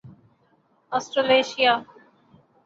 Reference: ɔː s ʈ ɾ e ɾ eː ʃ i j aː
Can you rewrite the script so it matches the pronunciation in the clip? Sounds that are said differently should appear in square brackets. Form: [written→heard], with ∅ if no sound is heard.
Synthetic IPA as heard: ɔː s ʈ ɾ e [ɾ→l] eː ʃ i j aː